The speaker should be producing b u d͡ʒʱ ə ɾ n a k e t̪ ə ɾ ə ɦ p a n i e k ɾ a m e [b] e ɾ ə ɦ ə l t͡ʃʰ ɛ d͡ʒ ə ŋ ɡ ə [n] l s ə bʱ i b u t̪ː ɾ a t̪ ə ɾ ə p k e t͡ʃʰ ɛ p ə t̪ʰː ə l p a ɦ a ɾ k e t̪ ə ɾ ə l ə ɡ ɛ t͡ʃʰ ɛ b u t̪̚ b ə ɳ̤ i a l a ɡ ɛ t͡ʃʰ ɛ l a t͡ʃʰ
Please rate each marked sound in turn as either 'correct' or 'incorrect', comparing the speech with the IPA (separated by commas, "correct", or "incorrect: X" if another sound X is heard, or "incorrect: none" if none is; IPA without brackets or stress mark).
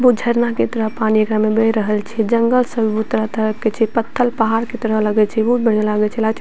correct, incorrect: none